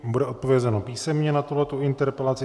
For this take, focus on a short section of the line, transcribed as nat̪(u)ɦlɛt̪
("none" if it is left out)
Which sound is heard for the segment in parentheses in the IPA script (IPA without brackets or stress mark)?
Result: u